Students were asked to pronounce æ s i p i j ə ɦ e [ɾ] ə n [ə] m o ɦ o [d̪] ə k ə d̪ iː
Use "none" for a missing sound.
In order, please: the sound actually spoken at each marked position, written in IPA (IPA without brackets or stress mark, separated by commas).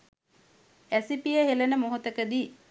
l, ə, t̪